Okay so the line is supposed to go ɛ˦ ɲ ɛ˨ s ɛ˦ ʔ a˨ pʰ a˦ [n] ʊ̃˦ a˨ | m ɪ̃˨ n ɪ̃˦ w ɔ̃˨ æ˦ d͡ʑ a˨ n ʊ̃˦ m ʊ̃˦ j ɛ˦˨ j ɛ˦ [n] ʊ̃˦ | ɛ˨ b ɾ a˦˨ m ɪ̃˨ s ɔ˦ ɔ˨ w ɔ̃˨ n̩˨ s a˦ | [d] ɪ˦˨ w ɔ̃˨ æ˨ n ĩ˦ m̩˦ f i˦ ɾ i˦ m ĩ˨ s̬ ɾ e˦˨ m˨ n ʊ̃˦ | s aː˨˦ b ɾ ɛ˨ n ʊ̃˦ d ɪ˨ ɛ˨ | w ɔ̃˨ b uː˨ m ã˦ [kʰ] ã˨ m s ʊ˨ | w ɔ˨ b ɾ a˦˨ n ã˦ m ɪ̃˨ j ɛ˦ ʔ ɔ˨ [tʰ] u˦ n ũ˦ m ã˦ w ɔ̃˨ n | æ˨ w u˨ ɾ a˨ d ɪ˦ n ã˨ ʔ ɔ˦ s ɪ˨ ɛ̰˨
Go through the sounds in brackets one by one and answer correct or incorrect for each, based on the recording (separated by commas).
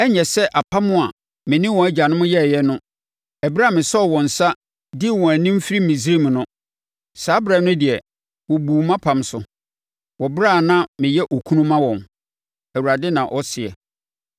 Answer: incorrect, correct, correct, incorrect, incorrect